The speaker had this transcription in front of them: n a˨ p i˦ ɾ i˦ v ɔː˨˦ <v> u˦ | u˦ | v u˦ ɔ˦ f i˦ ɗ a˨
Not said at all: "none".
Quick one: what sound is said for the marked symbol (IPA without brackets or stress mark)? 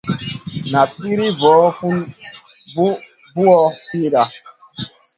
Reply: f